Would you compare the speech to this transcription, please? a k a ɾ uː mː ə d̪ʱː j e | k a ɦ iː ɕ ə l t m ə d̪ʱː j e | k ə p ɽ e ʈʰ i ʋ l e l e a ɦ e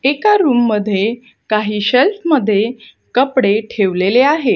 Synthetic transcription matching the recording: e k a ɾ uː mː ə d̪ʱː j e | k a ɦ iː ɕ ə l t m ə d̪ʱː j e | k ə p ɽ e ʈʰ e ʋ l e l e a ɦ e